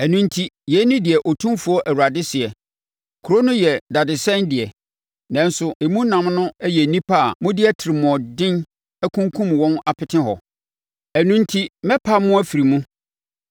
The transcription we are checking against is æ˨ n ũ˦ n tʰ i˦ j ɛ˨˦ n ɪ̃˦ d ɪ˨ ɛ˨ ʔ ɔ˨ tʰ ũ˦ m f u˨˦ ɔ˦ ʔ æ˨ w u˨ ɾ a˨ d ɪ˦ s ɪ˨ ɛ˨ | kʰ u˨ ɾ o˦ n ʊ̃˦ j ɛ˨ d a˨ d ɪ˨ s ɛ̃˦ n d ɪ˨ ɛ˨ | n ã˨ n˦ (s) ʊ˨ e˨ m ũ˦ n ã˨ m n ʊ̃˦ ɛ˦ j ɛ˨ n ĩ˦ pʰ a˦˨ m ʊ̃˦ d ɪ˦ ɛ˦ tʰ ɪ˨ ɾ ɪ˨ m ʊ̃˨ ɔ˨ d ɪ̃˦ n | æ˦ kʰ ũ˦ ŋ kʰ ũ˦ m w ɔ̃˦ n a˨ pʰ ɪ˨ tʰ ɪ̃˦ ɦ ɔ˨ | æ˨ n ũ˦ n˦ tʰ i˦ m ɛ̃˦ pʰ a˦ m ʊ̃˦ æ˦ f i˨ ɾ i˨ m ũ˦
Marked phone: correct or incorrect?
correct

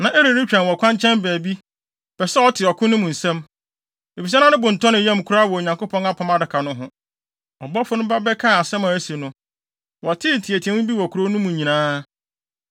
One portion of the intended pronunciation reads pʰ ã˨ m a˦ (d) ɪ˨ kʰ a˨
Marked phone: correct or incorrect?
correct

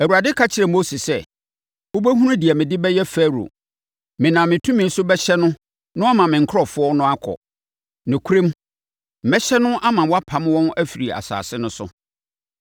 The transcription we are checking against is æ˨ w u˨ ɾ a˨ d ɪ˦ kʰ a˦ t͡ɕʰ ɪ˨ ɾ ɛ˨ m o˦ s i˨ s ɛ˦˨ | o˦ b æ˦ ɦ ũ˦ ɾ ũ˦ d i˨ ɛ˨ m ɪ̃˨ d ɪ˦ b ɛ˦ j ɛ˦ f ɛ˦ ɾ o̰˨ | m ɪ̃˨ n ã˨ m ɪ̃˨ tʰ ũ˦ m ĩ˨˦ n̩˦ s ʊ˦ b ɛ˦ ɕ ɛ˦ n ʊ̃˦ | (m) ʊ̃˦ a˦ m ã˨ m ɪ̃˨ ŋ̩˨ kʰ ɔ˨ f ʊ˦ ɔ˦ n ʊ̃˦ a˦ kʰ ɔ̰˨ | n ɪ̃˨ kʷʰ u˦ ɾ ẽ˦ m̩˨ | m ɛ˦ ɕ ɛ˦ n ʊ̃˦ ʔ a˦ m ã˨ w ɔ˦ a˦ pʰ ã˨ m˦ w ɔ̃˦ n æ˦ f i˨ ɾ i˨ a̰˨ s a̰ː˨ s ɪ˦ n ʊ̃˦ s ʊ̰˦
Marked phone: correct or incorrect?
incorrect: n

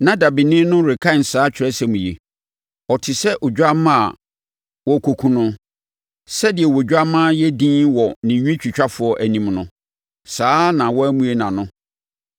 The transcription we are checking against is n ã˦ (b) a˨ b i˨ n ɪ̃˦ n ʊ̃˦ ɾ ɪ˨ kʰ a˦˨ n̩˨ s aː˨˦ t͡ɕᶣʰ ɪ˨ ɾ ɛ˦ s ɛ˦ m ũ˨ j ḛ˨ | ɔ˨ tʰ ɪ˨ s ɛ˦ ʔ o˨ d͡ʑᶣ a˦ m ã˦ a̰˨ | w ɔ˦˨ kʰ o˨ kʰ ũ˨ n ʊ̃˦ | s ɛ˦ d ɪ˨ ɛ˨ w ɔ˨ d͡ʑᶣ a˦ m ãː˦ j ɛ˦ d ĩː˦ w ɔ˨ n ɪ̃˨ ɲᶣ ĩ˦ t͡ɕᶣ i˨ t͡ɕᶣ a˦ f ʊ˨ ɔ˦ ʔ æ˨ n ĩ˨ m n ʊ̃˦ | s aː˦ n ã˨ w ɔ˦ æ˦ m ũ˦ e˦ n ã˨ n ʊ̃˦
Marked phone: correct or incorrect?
incorrect: d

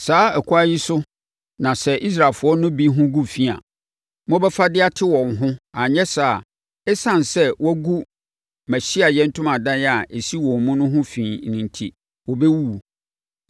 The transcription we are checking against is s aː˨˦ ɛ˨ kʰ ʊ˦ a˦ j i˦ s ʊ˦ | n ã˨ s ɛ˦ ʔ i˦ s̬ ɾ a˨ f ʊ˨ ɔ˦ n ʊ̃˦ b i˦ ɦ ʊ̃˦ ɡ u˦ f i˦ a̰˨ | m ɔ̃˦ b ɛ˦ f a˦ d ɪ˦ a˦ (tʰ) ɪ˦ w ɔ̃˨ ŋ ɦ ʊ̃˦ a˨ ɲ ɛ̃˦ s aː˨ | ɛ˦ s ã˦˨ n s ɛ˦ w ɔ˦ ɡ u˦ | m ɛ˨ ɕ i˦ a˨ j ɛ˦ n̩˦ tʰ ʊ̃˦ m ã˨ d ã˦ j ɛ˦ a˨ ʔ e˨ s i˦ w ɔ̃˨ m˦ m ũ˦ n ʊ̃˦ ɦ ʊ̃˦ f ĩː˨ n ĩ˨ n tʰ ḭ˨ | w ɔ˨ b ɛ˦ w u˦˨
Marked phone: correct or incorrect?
correct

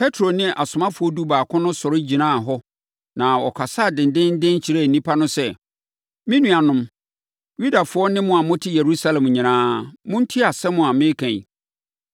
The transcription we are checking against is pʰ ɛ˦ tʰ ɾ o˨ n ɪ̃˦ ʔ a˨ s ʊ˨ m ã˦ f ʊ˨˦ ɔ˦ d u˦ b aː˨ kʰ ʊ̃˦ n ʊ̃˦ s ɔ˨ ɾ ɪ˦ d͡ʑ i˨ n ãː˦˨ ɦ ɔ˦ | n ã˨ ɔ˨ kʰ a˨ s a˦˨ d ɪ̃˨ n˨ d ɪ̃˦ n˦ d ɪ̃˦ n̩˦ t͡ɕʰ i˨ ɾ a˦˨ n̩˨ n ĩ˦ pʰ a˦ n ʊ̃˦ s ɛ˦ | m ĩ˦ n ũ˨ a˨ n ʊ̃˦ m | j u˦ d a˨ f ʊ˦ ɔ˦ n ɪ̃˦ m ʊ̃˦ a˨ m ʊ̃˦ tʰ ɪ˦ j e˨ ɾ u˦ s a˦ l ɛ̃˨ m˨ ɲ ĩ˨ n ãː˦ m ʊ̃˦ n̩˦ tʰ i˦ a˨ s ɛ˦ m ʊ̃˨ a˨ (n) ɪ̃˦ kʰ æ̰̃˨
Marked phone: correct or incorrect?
incorrect: m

